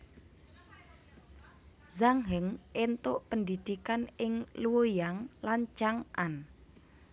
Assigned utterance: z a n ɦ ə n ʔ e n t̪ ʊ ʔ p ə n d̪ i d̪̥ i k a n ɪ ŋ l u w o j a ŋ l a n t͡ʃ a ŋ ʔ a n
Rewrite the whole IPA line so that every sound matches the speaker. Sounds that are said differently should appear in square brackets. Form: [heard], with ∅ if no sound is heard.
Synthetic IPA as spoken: z a [ŋ] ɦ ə [ŋ] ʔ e n t̪ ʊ ʔ p ə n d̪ i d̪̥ i k a n ɪ ŋ l u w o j a ŋ l a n t͡ʃ a ŋ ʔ a n

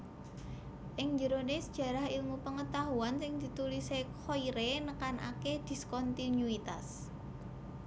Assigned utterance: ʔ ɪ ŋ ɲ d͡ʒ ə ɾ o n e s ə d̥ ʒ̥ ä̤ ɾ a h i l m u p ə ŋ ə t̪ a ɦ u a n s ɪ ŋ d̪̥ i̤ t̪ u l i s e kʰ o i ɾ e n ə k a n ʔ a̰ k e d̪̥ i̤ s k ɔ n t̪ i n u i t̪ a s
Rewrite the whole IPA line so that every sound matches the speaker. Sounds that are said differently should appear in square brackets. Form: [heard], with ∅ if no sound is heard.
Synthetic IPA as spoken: ʔ ɪ ŋ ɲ d͡ʒ ə ɾ o n e s ə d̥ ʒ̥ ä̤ ɾ a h i l m u p ə ŋ ə t̪ a ɦ u a n s ɪ ŋ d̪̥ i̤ t̪ u l i s e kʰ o i ɾ e n ə k a n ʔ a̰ k e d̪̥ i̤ s k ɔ n t̪ i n u i t̪ a s

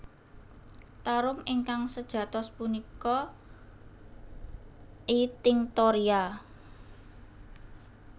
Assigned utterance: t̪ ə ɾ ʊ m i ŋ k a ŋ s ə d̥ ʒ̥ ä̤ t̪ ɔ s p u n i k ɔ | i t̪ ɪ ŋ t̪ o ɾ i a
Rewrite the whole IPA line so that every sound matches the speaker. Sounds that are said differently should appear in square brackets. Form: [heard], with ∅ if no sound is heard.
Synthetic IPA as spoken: t̪ [a] ɾ ʊ m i ŋ k a ŋ s ə d̥ ʒ̥ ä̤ t̪ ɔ s p u n i k ɔ | i t̪ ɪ ŋ t̪ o ɾ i a

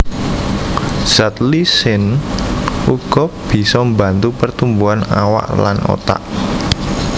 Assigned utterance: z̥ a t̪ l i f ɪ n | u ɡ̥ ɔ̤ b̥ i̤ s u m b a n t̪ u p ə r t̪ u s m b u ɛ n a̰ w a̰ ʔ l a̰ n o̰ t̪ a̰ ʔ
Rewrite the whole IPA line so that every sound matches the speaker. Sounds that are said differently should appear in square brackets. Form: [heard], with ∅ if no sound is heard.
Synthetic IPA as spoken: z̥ a t̪ l i [s] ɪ n | u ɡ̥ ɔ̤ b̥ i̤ s [ɔ] m b a n t̪ u p ə r t̪ u [∅] m b u [a] n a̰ w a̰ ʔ l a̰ n o̰ t̪ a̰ ʔ

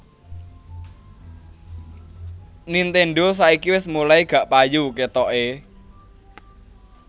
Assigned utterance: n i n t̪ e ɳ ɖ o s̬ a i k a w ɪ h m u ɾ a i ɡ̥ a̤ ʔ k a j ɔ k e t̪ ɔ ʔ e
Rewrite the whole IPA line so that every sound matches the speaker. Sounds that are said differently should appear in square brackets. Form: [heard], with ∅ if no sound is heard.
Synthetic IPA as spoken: n i n t̪ e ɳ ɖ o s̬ a i k [i] w ɪ [s] m u [l] a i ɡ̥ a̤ ʔ [p] a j [u] k e t̪ ɔ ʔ e

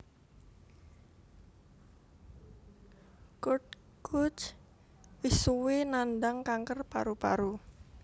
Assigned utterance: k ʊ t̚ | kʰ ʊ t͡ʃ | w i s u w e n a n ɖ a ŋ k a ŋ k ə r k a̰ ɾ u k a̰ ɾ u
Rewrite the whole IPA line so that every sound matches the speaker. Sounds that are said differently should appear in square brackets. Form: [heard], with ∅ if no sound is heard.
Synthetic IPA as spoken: k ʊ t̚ | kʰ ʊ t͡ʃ | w i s u w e n a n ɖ a ŋ k a ŋ k ə r [p] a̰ ɾ u [p] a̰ ɾ u

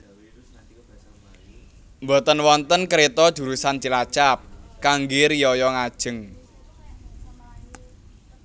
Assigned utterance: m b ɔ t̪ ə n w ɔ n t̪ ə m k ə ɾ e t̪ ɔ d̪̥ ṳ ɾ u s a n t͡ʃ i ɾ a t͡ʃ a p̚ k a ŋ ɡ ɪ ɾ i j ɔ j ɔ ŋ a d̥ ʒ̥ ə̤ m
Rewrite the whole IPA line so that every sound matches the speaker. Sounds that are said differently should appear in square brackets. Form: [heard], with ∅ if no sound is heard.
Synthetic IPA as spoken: m b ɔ t̪ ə n w ɔ n t̪ ə [n] k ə ɾ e t̪ ɔ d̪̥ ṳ ɾ u s a n t͡ʃ i [l] a t͡ʃ a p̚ k a ŋ ɡ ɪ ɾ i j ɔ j ɔ ŋ a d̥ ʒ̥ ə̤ [ŋ]

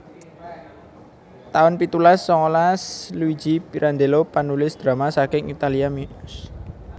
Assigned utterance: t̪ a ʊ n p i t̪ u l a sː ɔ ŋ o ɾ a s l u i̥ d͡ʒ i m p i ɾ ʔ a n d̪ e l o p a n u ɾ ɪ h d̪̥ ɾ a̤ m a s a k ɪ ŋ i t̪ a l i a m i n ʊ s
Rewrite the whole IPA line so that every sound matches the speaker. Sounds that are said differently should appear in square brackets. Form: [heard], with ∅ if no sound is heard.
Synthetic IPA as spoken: t̪ a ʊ n p i t̪ u l a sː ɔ ŋ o [l] a s l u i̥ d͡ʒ i [∅] p i ɾ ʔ a n d̪ e l o p a n u [l] ɪ [s] d̪̥ ɾ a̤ m a s a k ɪ ŋ i t̪ a l i a m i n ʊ s

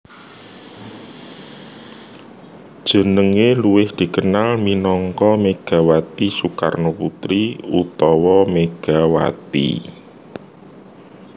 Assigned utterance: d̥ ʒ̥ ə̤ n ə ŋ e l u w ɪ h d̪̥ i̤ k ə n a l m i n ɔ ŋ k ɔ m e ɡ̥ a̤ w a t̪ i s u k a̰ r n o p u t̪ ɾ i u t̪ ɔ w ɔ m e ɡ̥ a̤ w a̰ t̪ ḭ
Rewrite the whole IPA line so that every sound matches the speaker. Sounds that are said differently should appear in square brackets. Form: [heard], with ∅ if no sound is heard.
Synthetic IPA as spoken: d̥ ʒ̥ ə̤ n ə ŋ e l u w ɪ h d̪̥ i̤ k ə n a l m i n ɔ ŋ k ɔ m e ɡ̥ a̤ w a t̪ i s u k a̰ r n o p u t̪ ɾ i u t̪ ɔ w ɔ m e ɡ̥ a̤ w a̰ t̪ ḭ

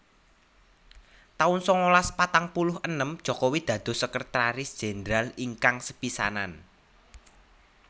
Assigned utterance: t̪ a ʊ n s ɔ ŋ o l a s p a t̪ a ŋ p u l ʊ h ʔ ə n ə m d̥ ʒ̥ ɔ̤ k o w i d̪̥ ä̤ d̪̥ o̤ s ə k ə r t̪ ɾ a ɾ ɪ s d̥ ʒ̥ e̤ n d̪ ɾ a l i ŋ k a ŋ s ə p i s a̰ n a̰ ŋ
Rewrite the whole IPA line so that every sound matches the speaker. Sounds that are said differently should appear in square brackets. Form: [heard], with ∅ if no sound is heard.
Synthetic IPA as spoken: t̪ a ʊ n s ɔ ŋ o l a s p a t̪ a ŋ p u l ʊ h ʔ ə n ə m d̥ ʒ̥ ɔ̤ k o w i d̪̥ ä̤ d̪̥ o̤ s ə k ə r t̪ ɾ a ɾ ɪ s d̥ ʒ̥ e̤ n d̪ ɾ a l i ŋ k a ŋ s ə p i s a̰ n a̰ [n]

